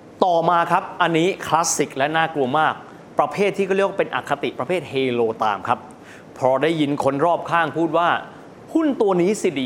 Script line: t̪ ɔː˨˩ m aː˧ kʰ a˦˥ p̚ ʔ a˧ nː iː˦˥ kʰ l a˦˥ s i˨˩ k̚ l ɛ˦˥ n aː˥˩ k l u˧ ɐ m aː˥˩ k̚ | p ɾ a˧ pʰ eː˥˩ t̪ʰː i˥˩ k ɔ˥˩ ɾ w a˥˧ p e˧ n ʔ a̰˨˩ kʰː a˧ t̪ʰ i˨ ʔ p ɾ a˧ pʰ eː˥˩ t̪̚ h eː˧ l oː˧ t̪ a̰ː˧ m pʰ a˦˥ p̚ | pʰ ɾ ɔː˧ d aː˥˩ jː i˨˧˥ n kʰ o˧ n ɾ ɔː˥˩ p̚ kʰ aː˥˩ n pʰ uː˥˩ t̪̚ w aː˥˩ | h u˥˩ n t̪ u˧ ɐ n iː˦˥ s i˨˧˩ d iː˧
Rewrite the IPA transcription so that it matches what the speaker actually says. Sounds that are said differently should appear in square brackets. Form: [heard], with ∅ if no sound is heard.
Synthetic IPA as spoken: t̪ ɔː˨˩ m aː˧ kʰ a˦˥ p̚ ʔ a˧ nː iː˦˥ kʰ l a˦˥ s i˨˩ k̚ l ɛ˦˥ n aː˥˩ k l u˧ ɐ m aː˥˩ k̚ | p ɾ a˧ pʰ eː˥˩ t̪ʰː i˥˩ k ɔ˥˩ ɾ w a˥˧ p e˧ n ʔ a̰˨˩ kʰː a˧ [t̪] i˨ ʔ p ɾ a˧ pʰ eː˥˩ t̪̚ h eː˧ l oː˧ t̪ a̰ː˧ m [kʰ] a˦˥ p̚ | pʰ ɾ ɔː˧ d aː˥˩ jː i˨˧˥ n kʰ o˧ n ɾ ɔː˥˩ p̚ kʰ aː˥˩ [ŋ] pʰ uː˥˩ t̪̚ w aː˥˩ | h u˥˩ n t̪ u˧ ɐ n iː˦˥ s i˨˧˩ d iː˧